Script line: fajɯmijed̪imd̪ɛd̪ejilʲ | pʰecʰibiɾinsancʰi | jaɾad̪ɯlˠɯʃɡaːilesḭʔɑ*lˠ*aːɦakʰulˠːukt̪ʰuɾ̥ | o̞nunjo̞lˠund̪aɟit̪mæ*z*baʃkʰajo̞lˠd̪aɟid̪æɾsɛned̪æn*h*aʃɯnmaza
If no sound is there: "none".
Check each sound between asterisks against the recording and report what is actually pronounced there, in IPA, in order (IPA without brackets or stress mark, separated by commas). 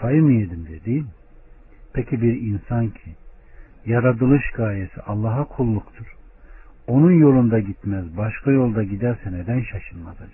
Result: lˠː, z, ʃ